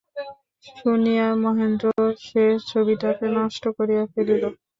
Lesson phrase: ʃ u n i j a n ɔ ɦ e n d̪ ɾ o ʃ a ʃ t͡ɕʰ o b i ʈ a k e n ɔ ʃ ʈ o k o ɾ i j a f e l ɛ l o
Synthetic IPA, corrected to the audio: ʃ u n i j a m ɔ ɦ e n d̪ ɾ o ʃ e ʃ t͡ɕʰ o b i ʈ a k e n ɔ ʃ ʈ o k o ɾ i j a f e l i l o